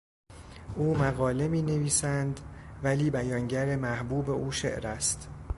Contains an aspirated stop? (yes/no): no